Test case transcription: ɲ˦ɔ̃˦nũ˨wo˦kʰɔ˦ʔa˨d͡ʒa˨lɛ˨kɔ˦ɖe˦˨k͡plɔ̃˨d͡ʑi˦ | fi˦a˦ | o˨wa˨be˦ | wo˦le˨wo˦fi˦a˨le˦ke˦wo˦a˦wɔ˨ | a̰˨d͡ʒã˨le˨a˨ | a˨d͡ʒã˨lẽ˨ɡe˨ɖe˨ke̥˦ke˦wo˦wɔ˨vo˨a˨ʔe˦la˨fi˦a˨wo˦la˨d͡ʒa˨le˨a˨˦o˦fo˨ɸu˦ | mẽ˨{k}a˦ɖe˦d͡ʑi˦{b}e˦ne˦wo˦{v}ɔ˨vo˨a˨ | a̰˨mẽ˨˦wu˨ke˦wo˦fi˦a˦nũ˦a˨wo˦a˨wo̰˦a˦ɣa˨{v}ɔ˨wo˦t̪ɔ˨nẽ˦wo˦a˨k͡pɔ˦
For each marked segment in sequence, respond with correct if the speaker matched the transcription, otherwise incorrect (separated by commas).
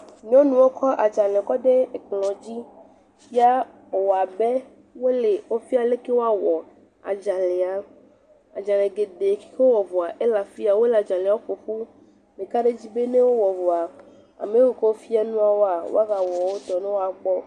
correct, correct, incorrect, incorrect